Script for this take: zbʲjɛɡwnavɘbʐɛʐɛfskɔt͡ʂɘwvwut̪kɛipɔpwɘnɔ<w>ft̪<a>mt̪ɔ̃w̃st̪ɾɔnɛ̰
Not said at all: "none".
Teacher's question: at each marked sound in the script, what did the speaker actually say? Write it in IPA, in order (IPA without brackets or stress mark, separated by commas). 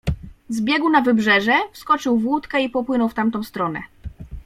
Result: w, a